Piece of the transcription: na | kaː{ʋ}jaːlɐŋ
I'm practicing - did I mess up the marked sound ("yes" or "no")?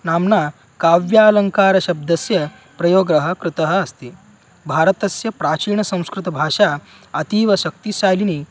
no